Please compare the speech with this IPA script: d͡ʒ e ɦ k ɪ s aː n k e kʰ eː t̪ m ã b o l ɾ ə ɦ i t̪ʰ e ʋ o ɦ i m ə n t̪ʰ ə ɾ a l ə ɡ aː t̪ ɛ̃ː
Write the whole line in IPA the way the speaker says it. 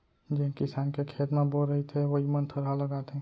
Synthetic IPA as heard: d͡ʒ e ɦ k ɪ s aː n k e kʰ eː t̪ m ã b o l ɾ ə ɦ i t̪ʰ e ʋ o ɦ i m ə n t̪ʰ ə ɾ a l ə ɡ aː t̪ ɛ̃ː